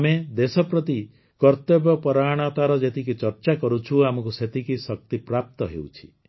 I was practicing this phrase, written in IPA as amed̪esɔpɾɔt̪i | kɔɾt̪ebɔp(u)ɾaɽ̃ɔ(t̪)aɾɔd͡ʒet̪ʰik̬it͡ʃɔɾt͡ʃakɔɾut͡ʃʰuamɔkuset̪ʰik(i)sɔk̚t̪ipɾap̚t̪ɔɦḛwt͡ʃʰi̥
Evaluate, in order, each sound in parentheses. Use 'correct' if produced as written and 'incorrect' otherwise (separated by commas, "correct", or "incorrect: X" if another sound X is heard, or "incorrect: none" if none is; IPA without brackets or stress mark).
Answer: incorrect: ɔ, correct, correct